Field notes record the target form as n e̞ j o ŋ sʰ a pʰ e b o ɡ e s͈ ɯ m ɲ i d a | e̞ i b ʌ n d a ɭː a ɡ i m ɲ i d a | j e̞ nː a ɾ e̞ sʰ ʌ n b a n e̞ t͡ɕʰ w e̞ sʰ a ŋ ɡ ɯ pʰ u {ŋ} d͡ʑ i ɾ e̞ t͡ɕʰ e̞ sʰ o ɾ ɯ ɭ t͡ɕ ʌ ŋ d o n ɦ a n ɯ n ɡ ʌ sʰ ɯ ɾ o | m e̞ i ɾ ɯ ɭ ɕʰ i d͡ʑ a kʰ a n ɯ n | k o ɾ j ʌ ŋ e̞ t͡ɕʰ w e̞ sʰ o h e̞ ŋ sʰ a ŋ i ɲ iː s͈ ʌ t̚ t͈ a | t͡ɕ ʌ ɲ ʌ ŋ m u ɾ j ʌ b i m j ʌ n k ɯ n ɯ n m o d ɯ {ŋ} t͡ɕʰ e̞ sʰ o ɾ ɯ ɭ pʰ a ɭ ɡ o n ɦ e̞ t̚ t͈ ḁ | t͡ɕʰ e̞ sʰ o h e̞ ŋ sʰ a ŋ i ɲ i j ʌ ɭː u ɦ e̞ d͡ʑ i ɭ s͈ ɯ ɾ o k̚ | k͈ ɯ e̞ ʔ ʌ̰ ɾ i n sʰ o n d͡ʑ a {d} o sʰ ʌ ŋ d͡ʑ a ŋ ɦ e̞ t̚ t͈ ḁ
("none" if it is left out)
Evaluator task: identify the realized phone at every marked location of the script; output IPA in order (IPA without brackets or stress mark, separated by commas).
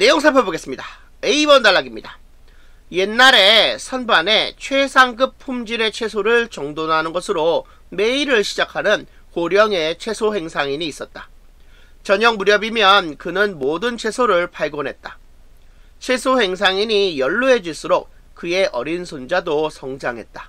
m, n, d